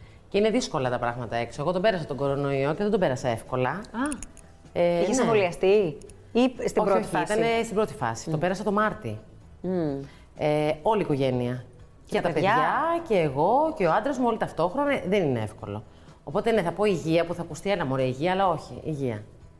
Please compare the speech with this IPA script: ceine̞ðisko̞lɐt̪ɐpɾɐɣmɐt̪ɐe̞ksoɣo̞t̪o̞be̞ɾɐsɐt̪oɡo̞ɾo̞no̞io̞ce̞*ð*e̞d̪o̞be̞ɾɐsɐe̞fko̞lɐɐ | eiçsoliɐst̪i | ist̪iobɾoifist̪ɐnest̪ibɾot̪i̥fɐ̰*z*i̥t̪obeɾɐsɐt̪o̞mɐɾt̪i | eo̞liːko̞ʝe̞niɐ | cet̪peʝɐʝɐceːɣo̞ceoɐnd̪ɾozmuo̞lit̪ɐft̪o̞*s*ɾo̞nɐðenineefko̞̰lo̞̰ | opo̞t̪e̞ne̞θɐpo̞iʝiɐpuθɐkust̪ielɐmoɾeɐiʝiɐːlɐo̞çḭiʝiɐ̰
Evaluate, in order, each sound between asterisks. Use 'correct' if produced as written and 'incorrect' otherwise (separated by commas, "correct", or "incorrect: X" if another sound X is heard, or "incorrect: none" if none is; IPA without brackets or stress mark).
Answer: correct, incorrect: s, incorrect: x